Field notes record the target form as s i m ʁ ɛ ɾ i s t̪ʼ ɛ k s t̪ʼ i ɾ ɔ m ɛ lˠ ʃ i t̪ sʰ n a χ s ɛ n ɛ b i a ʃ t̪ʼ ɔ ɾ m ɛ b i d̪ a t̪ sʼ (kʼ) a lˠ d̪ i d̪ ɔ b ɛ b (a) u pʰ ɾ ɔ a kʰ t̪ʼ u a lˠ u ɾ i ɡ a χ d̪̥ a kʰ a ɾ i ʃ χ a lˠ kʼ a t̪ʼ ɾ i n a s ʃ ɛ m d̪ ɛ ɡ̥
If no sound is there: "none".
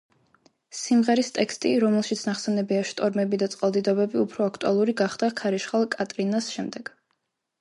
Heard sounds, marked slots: qʼ, i

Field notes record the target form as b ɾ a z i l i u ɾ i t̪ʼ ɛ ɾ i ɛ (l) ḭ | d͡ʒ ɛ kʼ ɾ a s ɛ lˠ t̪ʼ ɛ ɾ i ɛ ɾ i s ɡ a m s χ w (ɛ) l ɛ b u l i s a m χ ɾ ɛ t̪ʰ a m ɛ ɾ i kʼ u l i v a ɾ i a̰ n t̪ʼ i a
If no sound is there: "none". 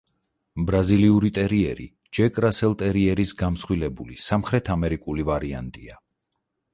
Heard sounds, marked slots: ɾ, i

